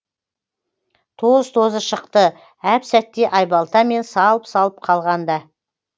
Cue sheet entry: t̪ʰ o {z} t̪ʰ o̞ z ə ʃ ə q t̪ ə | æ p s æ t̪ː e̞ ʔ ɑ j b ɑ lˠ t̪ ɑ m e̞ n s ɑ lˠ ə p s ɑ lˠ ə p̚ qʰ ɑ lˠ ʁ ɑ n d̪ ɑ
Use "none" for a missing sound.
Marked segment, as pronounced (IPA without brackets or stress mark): z